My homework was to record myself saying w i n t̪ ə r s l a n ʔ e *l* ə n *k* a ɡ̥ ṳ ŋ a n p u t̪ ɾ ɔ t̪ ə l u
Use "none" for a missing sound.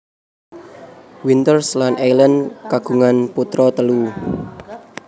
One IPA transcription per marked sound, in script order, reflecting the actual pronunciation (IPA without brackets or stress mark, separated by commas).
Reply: l, k